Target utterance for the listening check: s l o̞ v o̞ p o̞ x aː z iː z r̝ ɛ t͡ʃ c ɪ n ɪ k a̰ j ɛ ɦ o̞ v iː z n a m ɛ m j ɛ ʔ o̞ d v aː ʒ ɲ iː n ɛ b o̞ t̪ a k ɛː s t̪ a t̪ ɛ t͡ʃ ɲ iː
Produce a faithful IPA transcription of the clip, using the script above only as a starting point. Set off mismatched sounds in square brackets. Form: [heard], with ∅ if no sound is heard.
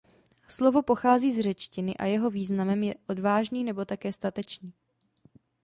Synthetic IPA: s l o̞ v o̞ p o̞ x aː z iː z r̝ ɛ t͡ʃ c ɪ n ɪ [ʔ] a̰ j ɛ ɦ o̞ v iː z n a m ɛ m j ɛ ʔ o̞ d v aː ʒ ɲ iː n ɛ b o̞ t̪ a k ɛː s t̪ a t̪ ɛ t͡ʃ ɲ iː